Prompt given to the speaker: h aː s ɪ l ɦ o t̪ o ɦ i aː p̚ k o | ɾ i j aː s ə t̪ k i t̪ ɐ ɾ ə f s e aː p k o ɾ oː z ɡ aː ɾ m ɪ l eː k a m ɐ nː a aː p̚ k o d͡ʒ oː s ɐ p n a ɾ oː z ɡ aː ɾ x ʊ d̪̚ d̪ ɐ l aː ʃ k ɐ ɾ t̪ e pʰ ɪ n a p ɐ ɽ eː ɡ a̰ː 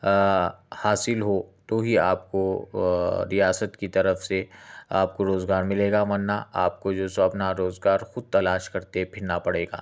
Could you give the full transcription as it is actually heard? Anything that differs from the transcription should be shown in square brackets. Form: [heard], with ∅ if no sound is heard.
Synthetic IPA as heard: h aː s ɪ l ɦ o t̪ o ɦ i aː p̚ k o | ɾ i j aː s ə t̪ k i t̪ ɐ ɾ ə f s e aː p k o ɾ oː z ɡ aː ɾ m ɪ l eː [ɡ] a m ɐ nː a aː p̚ k o d͡ʒ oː s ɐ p n a ɾ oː z ɡ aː ɾ x ʊ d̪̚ [t̪] ɐ l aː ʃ k ɐ ɾ t̪ e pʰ ɪ n a p ɐ ɽ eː ɡ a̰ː

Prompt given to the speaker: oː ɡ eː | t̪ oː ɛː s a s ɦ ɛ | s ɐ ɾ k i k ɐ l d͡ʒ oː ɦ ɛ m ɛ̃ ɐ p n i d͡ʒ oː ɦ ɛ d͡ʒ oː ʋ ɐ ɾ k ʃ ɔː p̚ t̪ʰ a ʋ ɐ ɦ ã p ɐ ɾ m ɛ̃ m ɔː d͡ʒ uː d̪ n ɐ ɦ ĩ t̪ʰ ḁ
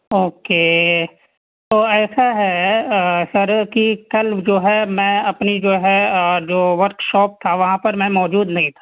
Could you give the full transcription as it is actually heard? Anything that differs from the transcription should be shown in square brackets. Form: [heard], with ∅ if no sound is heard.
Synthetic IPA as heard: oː [k] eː | t̪ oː ɛː s a [∅] ɦ ɛ | s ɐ ɾ k i k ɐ l d͡ʒ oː ɦ ɛ m ɛ̃ ɐ p n i d͡ʒ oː ɦ ɛ d͡ʒ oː ʋ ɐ ɾ k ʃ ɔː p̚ t̪ʰ a ʋ ɐ ɦ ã p ɐ ɾ m ɛ̃ m ɔː d͡ʒ uː d̪ n ɐ ɦ ĩ t̪ʰ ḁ

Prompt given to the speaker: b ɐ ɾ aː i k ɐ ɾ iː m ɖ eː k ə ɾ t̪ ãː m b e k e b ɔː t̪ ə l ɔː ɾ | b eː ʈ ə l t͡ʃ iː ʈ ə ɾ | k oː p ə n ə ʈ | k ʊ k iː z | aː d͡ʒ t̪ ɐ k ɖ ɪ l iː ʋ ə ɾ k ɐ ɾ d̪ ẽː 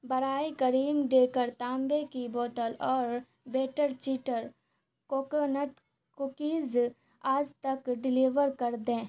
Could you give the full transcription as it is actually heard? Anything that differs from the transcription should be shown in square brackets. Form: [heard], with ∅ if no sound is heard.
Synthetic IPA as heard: b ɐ ɾ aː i k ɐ ɾ iː m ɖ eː k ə ɾ t̪ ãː m b e k [i] b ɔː t̪ ə l ɔː ɾ | b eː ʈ ə [ɾ] t͡ʃ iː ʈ ə ɾ | k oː [k] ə n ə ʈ | k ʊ k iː z | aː d͡ʒ t̪ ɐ k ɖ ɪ l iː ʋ ə ɾ k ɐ ɾ d̪ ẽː

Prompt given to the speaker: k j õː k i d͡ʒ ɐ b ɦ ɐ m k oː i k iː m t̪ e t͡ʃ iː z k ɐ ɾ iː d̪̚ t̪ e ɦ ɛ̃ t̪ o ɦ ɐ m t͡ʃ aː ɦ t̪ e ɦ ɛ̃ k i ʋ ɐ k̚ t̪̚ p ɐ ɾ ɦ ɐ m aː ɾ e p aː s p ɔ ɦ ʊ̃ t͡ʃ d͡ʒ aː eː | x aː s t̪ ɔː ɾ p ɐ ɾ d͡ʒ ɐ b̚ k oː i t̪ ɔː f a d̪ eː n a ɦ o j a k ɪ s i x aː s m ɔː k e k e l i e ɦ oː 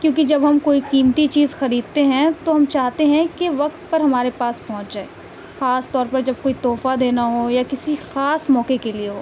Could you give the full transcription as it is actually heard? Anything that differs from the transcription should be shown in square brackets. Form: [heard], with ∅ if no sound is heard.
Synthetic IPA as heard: k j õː k i d͡ʒ ɐ b ɦ ɐ m k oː i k iː m t̪ [i] t͡ʃ iː z [x] ɐ ɾ iː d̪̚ t̪ e ɦ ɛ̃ t̪ o ɦ ɐ m t͡ʃ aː ɦ t̪ e ɦ ɛ̃ k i ʋ ɐ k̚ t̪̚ p ɐ ɾ ɦ ɐ m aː ɾ e p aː s p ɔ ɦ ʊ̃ t͡ʃ d͡ʒ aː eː | x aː s t̪ ɔː ɾ p ɐ ɾ d͡ʒ ɐ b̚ k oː i t̪ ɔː f a d̪ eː n a ɦ o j a k ɪ s i x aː s m ɔː k e k e l i e ɦ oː

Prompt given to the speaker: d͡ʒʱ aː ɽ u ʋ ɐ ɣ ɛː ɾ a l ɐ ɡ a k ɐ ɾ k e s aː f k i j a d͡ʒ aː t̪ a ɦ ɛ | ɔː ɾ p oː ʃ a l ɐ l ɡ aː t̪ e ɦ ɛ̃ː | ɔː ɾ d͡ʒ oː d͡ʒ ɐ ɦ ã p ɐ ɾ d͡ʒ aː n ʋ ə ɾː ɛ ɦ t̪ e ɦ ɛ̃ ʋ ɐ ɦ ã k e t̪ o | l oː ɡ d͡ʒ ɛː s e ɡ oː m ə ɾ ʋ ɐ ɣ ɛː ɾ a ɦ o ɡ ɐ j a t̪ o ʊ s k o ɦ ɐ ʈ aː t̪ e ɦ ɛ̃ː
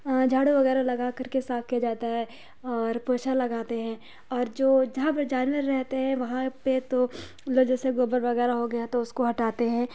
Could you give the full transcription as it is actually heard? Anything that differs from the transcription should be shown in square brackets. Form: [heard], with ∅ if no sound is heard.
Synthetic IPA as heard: d͡ʒʱ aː ɽ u ʋ ɐ ɣ ɛː ɾ a l ɐ ɡ a k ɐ ɾ k e s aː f k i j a d͡ʒ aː t̪ a ɦ ɛ | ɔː ɾ p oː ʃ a l ɐ [∅] ɡ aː t̪ e ɦ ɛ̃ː | ɔː ɾ d͡ʒ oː d͡ʒ ɐ ɦ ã p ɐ ɾ d͡ʒ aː n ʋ ə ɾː ɛ ɦ t̪ e ɦ ɛ̃ ʋ ɐ ɦ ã [p] e t̪ o | l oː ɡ d͡ʒ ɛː s e ɡ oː [b] ə ɾ ʋ ɐ ɣ ɛː ɾ a ɦ o ɡ ɐ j a t̪ o ʊ s k o ɦ ɐ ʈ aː t̪ e ɦ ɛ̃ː

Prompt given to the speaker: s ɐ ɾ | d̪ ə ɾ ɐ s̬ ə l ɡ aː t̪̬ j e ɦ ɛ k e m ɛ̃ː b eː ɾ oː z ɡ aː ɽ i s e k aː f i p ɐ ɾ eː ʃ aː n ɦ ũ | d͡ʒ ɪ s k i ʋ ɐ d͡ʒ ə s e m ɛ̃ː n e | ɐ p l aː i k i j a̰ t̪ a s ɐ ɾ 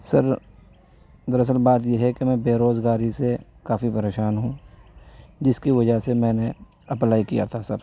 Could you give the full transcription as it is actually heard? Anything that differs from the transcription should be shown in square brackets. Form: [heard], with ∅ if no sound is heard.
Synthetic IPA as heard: s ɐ ɾ | d̪ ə ɾ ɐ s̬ ə l [b] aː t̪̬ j e ɦ ɛ k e m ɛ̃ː b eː ɾ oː z ɡ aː [ɾ] i s e k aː f i p ɐ ɾ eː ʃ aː n ɦ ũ | d͡ʒ ɪ s k i ʋ ɐ d͡ʒ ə s e m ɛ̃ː n e | ɐ p l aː i k i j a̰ [t̪ʰ] a s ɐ ɾ

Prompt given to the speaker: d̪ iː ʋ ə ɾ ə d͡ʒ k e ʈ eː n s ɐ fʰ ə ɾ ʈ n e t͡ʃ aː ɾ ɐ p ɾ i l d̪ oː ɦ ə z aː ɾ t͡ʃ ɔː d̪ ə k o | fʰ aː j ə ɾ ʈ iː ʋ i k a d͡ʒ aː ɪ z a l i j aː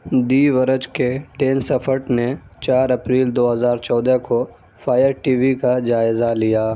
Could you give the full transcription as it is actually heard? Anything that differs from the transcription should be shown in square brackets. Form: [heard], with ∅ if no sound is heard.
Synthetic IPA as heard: d̪ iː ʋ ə ɾ ə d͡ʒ k e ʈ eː n s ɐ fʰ ə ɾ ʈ n e t͡ʃ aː ɾ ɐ p ɾ [iː] l d̪ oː ɦ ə z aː ɾ t͡ʃ ɔː d̪ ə k o | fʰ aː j ə ɾ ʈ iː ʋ i k a d͡ʒ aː ɪ z a l i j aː

